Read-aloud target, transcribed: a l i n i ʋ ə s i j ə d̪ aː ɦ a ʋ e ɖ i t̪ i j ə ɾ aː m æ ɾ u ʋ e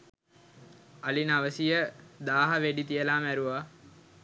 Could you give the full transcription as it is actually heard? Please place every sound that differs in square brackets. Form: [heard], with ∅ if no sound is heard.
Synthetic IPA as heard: a l i n [a] ʋ ə s i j ə d̪ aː ɦ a ʋ e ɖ i t̪ i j ə [l] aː m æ ɾ u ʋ [a]

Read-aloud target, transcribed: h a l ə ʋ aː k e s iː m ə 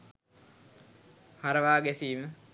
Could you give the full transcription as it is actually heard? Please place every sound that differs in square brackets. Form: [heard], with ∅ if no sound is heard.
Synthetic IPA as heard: h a [ɾ] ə ʋ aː [ɡ] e s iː m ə

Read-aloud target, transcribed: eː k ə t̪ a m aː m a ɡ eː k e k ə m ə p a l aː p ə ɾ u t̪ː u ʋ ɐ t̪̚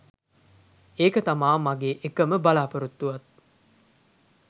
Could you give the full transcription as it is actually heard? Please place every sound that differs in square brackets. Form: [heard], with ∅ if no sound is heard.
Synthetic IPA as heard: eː k ə t̪ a m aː m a ɡ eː [ʔ] e k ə m ə [b] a l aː p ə ɾ u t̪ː u ʋ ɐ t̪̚

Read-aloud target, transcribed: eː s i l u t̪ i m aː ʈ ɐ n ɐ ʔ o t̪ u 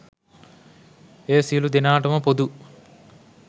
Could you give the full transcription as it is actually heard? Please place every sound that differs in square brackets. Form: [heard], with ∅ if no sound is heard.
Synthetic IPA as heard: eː s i l u [d̪] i [n] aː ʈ ɐ [m] ɐ [p] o [d̪] u

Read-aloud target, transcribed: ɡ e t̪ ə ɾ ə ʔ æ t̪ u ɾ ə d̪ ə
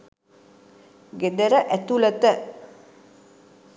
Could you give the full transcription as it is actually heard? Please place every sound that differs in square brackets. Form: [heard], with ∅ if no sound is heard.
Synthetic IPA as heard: ɡ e [d̪] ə ɾ ə ʔ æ t̪ u [l] ə [t̪] ə

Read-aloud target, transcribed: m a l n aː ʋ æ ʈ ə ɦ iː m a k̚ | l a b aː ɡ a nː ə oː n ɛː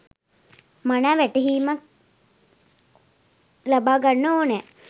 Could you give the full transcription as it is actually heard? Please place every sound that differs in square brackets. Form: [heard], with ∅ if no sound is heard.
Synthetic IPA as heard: m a [∅] n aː ʋ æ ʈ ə ɦ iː m a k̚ | l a b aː ɡ a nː ə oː n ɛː

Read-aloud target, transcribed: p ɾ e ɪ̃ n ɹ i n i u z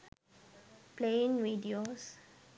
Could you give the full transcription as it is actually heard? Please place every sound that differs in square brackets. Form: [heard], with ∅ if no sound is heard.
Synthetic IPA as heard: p [l] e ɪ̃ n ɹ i [d] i [o] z

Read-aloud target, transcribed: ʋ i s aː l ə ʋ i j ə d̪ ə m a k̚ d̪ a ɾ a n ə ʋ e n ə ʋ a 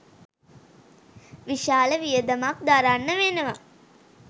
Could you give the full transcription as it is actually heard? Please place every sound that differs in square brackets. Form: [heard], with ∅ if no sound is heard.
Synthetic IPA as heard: ʋ i [ʃ] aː l ə ʋ i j ə d̪ ə m a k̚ d̪ a ɾ a [nː] ə ʋ e n ə ʋ a

